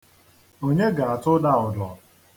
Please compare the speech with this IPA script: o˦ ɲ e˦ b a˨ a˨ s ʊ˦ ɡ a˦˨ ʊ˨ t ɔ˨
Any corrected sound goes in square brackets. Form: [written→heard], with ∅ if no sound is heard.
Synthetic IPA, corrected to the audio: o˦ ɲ e˦ [b→ɡ] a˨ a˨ [s→t] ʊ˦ [ɡ→d] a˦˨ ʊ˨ [t→d] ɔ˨